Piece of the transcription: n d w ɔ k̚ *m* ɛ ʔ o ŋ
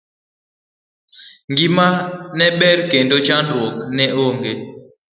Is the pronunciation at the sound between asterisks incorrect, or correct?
incorrect